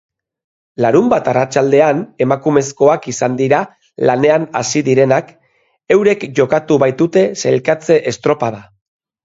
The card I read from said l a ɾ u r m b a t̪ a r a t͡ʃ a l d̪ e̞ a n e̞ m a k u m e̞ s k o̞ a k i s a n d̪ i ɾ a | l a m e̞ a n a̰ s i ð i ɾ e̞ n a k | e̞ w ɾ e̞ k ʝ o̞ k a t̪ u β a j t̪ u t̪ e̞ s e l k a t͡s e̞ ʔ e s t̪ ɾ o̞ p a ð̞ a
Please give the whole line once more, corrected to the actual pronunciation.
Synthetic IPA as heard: l a ɾ u m b a t̪ a r a t͡ʃ a l d̪ e̞ a n e̞ m a k u m e̞ s k o̞ a k i s a n d̪ i ɾ a | l a n e̞ a n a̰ s i ð i ɾ e̞ n a k | e̞ w ɾ e̞ k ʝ o̞ k a t̪ u β a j t̪ u t̪ e̞ s e l k a t͡s e̞ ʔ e s t̪ ɾ o̞ p a ð̞ a